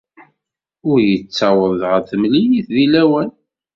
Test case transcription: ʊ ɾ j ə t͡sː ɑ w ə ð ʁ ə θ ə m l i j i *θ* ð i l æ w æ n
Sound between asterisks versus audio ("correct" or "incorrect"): correct